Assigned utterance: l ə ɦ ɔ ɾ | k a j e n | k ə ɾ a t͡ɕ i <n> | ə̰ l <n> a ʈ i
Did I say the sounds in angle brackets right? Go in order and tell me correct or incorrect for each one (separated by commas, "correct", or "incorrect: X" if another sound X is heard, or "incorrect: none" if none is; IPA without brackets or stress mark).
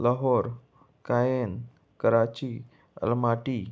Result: incorrect: none, incorrect: m